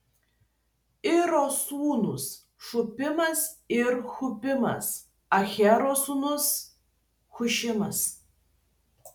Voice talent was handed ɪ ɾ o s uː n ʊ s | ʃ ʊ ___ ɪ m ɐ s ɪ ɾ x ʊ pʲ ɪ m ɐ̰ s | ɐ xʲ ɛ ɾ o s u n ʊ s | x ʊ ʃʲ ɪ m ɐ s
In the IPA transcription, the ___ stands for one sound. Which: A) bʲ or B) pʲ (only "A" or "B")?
B